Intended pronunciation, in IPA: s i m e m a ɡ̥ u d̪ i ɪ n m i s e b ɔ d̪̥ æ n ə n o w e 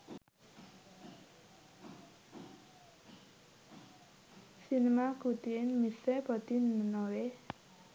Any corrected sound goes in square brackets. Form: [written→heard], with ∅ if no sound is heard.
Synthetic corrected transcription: s i [m→n] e m a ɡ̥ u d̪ i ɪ n m i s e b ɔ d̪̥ [æ→i] n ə n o w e